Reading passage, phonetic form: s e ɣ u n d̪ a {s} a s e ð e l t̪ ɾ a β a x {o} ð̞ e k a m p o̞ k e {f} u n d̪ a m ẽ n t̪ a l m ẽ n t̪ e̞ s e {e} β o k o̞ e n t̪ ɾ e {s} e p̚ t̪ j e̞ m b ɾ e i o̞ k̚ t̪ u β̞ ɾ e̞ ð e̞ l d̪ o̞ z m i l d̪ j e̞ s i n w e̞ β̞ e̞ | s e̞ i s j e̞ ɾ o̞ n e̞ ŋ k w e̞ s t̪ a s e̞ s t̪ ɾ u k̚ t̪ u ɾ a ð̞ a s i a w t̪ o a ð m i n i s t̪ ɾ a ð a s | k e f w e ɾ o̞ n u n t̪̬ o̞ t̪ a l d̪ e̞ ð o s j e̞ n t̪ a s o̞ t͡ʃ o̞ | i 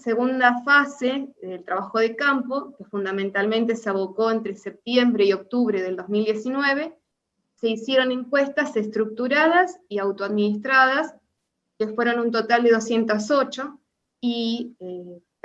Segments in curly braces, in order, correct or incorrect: incorrect: f, correct, correct, incorrect: a, correct

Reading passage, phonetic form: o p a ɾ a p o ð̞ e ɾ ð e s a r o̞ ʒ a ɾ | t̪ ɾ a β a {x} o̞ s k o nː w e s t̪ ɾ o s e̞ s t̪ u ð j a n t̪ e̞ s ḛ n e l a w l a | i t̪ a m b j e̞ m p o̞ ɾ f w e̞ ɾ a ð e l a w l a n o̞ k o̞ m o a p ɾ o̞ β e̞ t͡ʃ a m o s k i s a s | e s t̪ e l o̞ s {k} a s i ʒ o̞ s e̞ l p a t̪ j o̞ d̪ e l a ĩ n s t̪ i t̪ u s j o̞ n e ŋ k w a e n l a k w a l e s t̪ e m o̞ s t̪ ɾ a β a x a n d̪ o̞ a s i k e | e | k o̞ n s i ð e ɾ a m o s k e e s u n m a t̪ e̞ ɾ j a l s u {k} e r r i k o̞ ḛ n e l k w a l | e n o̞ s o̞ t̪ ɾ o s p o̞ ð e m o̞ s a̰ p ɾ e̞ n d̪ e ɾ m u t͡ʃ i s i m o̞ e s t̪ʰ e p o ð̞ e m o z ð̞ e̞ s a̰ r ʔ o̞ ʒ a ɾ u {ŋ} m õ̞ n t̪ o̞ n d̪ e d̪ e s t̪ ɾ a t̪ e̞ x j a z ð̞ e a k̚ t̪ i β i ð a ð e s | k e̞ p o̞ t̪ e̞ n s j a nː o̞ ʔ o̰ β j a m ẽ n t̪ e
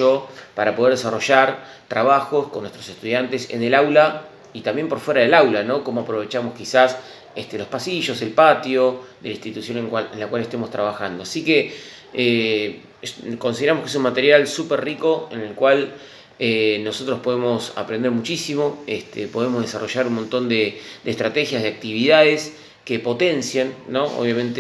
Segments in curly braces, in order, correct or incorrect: correct, incorrect: p, incorrect: p, incorrect: n

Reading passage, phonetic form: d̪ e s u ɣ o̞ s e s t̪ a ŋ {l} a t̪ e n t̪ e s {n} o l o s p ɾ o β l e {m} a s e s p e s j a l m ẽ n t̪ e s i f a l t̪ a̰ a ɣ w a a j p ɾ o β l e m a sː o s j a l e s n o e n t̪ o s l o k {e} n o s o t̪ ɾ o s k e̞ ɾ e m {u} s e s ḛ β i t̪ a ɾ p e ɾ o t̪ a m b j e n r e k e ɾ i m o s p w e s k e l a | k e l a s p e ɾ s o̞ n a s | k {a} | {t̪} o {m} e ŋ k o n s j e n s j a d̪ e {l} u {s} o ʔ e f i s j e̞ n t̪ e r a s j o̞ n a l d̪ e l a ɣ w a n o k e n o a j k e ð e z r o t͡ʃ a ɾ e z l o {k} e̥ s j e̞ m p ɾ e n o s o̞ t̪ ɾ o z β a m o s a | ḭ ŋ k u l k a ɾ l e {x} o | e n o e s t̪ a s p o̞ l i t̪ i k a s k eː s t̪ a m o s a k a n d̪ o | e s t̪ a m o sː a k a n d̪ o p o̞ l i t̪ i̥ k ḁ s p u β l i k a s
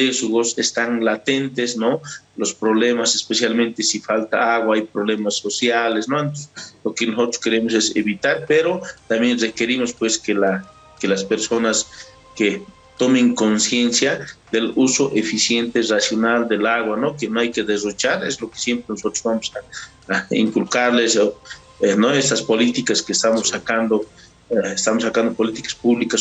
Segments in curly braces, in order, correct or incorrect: correct, correct, correct, correct, incorrect: o, incorrect: e, correct, correct, correct, correct, correct, incorrect: s

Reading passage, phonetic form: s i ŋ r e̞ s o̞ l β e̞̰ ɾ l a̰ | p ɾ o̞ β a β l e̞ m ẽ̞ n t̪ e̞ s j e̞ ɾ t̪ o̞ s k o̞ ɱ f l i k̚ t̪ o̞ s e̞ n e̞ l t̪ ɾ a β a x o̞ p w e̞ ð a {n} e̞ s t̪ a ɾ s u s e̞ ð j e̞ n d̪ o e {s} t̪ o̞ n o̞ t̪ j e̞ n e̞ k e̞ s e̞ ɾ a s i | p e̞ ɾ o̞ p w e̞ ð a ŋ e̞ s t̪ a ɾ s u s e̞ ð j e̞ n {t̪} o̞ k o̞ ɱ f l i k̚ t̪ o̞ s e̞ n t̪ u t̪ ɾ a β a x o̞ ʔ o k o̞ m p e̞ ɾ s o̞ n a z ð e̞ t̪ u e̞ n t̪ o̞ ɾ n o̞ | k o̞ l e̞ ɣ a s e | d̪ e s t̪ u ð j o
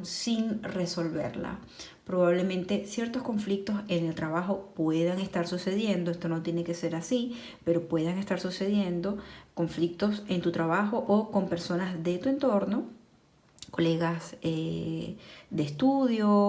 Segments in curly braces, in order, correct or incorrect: incorrect: ŋ, correct, incorrect: d̪

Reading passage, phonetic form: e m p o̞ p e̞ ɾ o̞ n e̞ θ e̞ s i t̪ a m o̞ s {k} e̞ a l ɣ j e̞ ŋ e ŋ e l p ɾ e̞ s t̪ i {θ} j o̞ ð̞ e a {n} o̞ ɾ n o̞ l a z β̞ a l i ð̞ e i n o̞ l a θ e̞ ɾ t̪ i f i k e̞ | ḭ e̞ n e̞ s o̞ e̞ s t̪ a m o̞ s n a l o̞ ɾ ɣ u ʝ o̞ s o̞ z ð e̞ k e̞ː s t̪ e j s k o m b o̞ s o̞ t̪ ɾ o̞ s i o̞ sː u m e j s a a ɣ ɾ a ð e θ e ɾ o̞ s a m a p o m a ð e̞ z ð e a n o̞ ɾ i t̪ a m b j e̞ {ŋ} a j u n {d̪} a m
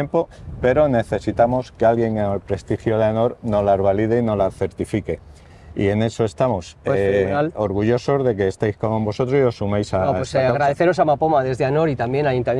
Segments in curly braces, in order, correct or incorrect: correct, incorrect: x, correct, incorrect: n, incorrect: t̪

